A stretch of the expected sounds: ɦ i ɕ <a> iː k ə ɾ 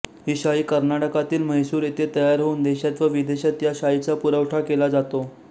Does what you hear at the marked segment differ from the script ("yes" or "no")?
no